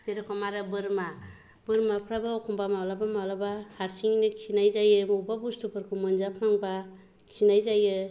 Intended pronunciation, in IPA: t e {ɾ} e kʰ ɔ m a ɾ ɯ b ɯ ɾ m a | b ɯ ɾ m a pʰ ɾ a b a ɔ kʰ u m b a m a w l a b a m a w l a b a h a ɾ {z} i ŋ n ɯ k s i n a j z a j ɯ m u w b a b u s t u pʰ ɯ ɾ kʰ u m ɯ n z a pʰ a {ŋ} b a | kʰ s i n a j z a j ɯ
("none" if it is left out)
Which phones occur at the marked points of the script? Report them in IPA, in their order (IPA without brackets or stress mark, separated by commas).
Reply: ɾ, s, ŋ